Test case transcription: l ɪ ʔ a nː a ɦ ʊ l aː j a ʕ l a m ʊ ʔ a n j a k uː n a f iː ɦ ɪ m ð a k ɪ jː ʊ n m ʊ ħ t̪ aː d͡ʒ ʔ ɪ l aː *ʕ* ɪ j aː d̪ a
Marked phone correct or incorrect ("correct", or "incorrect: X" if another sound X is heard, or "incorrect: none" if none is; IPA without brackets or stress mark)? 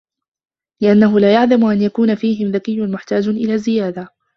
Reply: incorrect: z